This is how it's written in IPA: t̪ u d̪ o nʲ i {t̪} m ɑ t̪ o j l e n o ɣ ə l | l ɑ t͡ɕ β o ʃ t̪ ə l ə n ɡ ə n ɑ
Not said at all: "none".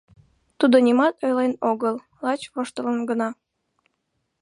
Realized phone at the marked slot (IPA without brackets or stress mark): none